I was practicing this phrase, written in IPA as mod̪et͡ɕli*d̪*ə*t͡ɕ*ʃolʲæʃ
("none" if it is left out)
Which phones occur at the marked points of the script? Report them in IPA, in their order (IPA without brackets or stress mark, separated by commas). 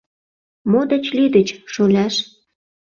d̪, t͡ɕ